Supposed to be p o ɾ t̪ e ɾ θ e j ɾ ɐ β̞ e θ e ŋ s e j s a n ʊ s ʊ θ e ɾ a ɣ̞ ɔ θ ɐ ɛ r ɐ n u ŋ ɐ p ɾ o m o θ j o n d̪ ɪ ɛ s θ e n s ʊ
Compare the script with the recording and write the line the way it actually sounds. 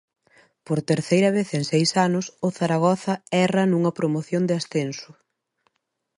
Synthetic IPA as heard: p o ɾ t̪ e ɾ θ e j ɾ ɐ β̞ e θ e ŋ s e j s a n ʊ s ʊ θ a ɾ a ɣ̞ ɔ θ ɐ ɛ r ɐ n u ŋ ɐ p ɾ o m o θ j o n d̪ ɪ a s θ e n s ʊ